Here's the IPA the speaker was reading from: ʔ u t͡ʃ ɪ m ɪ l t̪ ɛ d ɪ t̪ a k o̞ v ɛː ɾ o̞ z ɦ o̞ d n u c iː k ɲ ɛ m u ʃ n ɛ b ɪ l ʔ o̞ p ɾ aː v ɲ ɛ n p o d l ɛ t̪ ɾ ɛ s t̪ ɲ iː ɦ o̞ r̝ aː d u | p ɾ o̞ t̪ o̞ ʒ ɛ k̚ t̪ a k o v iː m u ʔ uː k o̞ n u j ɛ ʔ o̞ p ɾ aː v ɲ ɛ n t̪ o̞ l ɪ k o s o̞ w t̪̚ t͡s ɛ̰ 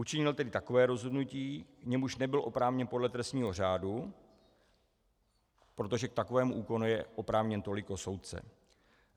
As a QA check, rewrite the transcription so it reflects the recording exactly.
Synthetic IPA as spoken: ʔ u t͡ʃ ɪ ɲ ɪ l t̪ ɛ d ɪ t̪ a k o̞ v ɛː ɾ o̞ z ɦ o̞ d n u c iː k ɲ ɛ m u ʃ n ɛ b ɪ l ʔ o̞ p ɾ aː v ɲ ɛ n p o d l ɛ t̪ ɾ ɛ s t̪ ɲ iː ɦ o̞ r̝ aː d u | p ɾ o̞ t̪ o̞ ʒ ɛ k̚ t̪ a k o v ɛː m u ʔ uː k o̞ n u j ɛ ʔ o̞ p ɾ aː v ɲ ɛ n t̪ o̞ l ɪ k o s o̞ w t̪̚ t͡s ɛ̰